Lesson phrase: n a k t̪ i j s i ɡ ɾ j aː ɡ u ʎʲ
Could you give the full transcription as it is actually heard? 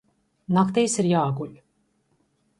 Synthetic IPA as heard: n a k t̪ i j s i ɾ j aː ɡ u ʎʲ